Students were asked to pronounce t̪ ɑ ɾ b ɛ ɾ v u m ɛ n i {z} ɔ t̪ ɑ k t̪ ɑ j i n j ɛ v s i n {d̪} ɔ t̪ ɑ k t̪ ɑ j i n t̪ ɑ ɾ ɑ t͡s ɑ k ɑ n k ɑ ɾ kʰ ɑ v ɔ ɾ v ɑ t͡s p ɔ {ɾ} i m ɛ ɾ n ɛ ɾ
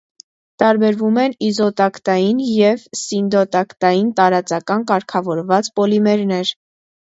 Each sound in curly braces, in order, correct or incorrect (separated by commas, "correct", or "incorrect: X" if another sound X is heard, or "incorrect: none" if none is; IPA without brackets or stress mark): correct, correct, incorrect: l